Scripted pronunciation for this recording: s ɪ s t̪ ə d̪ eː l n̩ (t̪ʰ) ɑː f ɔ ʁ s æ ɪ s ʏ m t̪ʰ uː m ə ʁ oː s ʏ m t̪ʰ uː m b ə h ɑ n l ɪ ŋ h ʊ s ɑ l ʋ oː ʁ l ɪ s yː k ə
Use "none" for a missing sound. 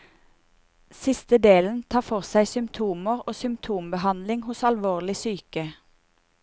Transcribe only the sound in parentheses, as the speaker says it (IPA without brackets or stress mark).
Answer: t̪ʰ